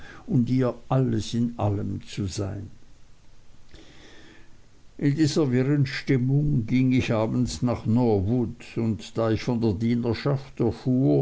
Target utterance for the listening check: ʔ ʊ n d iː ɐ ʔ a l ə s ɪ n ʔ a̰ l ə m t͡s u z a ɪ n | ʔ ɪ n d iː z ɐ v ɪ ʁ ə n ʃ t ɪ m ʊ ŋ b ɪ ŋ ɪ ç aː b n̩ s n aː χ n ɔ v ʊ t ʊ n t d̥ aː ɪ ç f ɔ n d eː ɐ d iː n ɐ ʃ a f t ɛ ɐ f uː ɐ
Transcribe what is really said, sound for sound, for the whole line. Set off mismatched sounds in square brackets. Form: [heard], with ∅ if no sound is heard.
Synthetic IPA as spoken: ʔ ʊ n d iː ɐ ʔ a l ə s ɪ n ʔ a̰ l ə m t͡s u z a ɪ n | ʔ ɪ n d iː z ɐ v ɪ ʁ ə n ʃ t ɪ m ʊ ŋ [ɡ] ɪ ŋ ɪ ç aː b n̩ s n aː χ n ɔ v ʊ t ʊ n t d̥ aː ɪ ç f ɔ n d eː ɐ d iː n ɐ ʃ a f t ɛ ɐ f uː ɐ